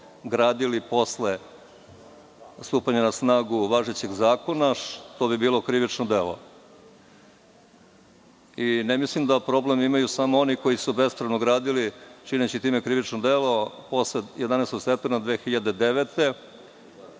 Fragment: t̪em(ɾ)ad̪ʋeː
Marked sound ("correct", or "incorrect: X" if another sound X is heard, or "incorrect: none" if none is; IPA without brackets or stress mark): correct